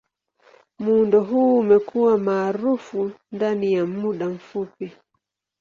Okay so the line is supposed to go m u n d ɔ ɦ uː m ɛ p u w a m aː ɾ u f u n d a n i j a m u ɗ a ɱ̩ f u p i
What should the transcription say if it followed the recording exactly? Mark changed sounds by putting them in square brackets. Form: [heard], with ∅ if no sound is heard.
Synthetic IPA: m u n d ɔ ɦ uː m ɛ [k] u w a m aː ɾ u f u n d a n i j a m u ɗ a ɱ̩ f u p i